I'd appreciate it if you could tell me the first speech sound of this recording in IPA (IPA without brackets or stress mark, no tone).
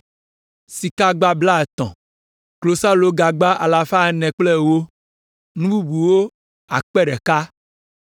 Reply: s